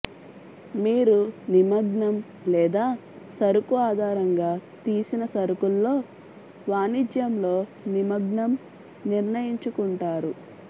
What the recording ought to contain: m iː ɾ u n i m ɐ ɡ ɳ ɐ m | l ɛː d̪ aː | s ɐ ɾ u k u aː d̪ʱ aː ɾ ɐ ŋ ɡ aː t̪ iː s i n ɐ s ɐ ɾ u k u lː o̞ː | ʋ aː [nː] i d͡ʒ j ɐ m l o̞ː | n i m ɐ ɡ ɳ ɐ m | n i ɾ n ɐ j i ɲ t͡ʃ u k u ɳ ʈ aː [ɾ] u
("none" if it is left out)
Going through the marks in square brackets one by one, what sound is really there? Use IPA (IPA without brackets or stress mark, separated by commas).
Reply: n, ɾ